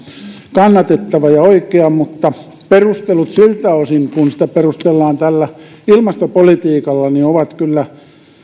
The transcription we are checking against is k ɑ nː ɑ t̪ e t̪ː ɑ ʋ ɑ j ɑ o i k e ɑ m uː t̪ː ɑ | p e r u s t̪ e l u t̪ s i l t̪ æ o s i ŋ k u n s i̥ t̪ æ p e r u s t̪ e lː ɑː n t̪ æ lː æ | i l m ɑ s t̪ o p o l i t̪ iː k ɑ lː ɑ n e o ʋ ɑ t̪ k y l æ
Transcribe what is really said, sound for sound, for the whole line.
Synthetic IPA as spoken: k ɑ nː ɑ t̪ e t̪ː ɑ ʋ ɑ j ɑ o i k e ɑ m u t̪ː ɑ | p e r u s t̪ e l u t̪ s i l t̪ æ o s i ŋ k u n s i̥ t̪ æ p e r u s t̪ e lː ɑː n t̪ æ lː æ | i l m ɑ s t̪ o p o l i t̪ iː k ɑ lː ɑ n i o ʋ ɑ t̪ k y lː æ